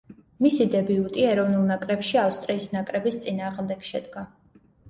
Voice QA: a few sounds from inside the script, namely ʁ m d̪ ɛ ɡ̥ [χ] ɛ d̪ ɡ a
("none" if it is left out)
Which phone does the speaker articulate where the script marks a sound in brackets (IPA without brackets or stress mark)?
ʃ